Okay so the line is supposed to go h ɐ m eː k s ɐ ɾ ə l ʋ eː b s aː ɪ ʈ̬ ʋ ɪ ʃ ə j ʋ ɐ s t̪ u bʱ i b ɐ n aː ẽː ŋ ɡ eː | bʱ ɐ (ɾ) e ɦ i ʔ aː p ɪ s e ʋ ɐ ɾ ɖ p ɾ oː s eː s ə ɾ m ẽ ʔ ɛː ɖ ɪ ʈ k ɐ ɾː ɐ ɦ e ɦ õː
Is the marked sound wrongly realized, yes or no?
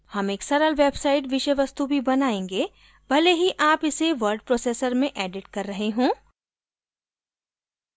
yes